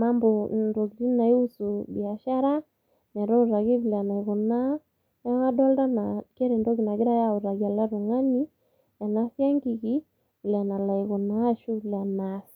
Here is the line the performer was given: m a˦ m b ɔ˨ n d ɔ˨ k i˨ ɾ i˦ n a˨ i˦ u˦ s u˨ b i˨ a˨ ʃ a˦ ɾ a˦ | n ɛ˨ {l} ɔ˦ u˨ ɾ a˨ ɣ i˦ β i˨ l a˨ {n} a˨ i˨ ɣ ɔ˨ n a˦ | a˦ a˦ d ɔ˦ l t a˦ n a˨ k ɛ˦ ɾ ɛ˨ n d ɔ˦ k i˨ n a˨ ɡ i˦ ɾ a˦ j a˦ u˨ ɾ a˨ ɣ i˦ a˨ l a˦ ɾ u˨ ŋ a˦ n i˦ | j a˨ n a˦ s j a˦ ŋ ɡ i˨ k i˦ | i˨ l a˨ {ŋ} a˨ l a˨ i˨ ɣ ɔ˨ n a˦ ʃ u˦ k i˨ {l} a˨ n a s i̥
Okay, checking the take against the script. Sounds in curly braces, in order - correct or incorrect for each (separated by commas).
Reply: incorrect, correct, incorrect, correct